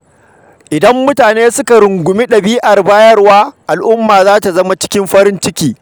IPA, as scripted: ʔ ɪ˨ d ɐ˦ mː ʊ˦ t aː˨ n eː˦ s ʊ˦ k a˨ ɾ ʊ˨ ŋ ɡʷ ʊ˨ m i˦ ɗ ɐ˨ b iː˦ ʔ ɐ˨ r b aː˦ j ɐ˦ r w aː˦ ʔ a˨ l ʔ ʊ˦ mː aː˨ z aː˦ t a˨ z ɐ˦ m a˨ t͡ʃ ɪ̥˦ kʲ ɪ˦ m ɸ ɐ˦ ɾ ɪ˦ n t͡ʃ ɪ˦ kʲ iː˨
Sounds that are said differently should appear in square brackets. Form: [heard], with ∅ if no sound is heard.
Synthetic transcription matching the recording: ʔ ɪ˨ d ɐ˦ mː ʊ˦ t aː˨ n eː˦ s ʊ˦ k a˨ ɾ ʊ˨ ŋ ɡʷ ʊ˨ m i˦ ɗ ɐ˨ b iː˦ ʔ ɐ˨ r b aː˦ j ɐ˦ r w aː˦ ʔ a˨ l ʔ ʊ˦ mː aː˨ z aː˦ t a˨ z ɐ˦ m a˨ t͡ʃ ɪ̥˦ kʲ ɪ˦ m ɸ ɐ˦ ɾ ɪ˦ n t͡ʃ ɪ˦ kʲ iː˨